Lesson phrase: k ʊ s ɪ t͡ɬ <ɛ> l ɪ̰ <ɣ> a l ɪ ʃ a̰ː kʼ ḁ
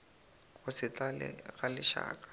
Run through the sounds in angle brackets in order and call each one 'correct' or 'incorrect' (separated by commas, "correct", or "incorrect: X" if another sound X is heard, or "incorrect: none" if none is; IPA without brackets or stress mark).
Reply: incorrect: a, correct